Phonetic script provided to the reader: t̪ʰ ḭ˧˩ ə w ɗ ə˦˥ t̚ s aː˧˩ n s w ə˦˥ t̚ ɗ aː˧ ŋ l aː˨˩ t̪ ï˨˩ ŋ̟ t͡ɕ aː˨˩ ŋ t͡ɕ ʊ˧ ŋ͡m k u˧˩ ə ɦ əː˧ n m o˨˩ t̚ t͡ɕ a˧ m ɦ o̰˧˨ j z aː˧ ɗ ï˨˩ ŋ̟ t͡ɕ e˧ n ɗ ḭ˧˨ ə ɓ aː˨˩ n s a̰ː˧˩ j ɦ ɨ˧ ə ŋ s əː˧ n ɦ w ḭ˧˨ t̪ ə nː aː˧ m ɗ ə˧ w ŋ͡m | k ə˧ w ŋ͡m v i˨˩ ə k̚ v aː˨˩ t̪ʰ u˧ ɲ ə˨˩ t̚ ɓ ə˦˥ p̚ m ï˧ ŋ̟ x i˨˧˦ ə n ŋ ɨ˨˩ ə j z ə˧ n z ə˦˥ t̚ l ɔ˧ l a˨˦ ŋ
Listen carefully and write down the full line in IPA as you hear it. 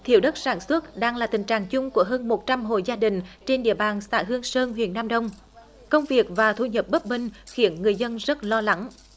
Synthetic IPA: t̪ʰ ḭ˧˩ ə w ɗ ə˦˥ t̚ s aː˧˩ n s w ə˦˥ t̚ ɗ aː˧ ŋ l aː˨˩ t̪ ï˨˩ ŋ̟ t͡ɕ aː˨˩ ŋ t͡ɕ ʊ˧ ŋ͡m k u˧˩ ə ɦ əː˧ n m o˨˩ t̚ t͡ɕ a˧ m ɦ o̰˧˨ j z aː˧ ɗ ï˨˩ ŋ̟ t͡ɕ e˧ n ɗ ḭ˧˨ ə ɓ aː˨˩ n s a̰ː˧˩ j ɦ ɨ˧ ə ŋ s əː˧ n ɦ w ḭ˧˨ ə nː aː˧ m ɗ ə˧ w ŋ͡m | k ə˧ w ŋ͡m v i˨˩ ə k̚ v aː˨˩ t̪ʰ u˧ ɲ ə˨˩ p̚ ɓ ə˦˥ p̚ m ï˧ ŋ̟ x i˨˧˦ ə n ŋ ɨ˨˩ ə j z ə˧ n z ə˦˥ t̚ l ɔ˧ l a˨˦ ŋ